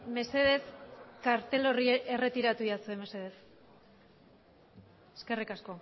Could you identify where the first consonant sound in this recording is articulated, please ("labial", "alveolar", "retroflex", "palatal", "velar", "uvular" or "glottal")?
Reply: labial